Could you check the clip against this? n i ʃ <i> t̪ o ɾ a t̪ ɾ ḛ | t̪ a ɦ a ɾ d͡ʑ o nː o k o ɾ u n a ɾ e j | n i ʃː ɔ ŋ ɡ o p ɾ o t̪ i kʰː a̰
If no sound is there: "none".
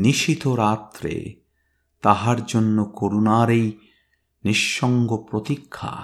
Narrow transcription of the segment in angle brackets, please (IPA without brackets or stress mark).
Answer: i